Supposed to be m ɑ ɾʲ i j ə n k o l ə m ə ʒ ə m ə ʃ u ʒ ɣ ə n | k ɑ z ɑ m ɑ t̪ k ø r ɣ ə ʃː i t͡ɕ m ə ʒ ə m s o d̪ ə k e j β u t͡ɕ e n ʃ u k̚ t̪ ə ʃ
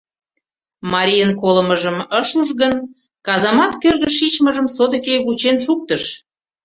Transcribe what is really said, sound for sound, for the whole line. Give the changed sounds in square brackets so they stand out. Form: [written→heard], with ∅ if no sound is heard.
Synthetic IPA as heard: m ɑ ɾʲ i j ə n k o l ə m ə ʒ ə m ə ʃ u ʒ ɣ ə n | k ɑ z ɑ m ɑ t̪ k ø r ɣ ə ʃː i t͡ɕ m ə ʒ ə m s o d̪ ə k e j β u t͡ɕ e n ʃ u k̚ t̪ ə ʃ